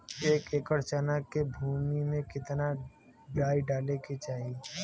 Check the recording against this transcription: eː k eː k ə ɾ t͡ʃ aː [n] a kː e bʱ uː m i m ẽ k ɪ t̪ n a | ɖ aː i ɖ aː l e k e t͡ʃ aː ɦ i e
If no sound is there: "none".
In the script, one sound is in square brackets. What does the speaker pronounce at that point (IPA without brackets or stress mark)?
n